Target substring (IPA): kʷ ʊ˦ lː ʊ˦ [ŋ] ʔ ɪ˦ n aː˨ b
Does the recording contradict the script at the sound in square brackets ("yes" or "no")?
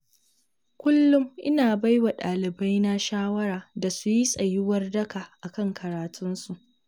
yes